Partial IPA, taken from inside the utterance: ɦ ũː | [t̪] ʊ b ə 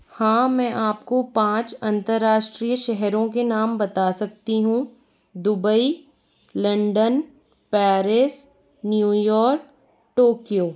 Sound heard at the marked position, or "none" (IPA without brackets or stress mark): d̪